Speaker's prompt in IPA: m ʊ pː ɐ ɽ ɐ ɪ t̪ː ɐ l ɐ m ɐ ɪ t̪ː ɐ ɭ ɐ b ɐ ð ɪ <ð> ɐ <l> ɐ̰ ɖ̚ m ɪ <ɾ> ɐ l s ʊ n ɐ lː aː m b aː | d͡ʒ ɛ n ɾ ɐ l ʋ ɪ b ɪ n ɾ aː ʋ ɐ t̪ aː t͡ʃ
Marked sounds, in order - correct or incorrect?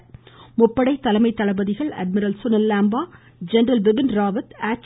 incorrect, incorrect, correct

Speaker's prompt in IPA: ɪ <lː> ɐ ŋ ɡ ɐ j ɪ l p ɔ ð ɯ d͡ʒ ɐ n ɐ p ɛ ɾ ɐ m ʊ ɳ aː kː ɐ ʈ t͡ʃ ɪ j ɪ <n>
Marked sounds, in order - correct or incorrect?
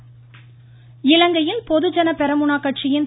incorrect, correct

